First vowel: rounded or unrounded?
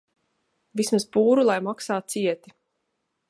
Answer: unrounded